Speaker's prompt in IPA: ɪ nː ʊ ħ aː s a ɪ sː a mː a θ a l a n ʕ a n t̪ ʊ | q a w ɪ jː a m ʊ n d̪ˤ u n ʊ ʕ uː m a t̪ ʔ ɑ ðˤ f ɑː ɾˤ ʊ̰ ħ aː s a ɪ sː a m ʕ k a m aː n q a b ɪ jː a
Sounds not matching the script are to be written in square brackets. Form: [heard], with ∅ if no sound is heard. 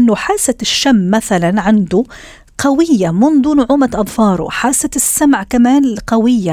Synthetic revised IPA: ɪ nː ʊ ħ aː s a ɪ [ʃː] a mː a θ a l a n ʕ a n [d̪] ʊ | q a w ɪ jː a m ʊ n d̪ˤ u n ʊ ʕ uː m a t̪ ʔ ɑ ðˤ f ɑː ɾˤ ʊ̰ ħ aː s a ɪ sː a m ʕ k a m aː n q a [w] ɪ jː a